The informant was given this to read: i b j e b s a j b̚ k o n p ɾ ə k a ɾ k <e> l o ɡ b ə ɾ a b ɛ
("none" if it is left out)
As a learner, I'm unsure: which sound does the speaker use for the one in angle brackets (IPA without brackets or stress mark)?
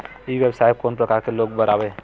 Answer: e